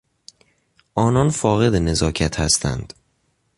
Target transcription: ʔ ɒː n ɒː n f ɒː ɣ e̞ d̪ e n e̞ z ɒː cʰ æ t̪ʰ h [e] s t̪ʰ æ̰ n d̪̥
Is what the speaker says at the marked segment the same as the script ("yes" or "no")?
no